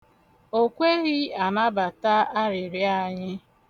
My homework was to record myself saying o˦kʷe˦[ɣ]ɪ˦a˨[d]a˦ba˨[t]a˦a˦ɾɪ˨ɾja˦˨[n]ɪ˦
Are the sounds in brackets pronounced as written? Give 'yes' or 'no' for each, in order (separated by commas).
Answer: yes, no, yes, no